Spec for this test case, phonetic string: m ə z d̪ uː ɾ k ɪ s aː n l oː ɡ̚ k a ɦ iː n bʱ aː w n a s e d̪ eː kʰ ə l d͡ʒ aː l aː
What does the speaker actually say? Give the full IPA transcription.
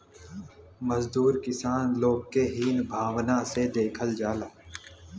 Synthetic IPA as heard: m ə z d̪ uː ɾ k ɪ s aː n l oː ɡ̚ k e ɦ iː n bʱ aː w n a s e d̪ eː kʰ ə l d͡ʒ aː l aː